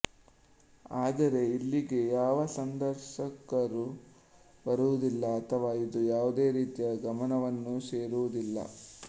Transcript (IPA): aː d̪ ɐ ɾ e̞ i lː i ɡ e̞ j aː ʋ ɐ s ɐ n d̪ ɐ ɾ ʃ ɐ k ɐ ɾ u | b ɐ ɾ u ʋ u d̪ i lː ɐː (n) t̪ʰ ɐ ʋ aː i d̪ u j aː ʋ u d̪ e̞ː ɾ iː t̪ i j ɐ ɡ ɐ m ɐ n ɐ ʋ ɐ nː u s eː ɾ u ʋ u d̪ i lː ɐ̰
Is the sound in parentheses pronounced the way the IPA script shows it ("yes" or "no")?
no